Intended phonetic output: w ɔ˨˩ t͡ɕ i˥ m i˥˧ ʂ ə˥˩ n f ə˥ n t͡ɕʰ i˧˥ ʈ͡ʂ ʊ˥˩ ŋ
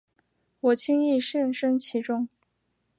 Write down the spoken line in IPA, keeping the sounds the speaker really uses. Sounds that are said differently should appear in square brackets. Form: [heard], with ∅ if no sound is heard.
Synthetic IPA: w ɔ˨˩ [t͡ɕʰ] i˥ [ŋ] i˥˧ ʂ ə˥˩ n [ʂ] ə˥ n t͡ɕʰ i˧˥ ʈ͡ʂ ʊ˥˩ ŋ